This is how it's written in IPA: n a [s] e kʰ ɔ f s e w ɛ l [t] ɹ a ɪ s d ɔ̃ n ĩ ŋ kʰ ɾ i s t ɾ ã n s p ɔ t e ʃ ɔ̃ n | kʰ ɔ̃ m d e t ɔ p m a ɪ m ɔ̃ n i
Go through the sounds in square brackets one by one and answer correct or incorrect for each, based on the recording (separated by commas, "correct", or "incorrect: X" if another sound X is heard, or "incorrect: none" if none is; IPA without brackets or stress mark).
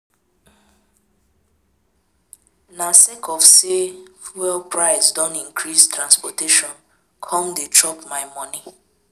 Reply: correct, incorrect: p